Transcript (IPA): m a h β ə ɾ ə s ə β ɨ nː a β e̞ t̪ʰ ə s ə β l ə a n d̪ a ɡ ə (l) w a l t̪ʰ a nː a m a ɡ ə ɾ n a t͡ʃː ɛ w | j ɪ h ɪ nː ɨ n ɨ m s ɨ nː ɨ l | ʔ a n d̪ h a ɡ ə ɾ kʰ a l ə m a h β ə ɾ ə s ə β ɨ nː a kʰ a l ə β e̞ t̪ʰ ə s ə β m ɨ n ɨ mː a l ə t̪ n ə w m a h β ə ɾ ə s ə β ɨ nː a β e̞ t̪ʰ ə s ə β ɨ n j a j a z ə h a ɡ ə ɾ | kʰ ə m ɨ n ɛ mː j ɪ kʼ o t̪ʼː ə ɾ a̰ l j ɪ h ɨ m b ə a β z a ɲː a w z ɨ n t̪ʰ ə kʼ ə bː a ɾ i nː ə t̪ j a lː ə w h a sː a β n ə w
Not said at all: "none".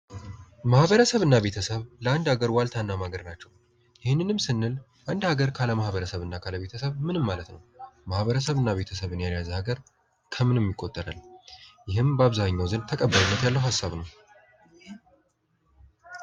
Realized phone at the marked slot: ɾ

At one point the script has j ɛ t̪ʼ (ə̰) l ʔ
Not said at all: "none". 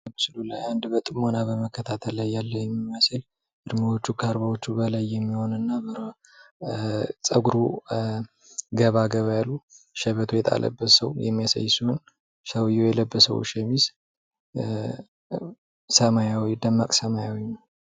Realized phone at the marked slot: a̰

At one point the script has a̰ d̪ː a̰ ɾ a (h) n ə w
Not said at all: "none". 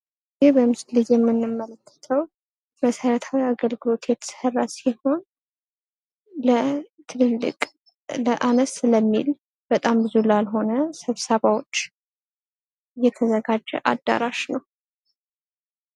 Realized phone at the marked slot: ʃ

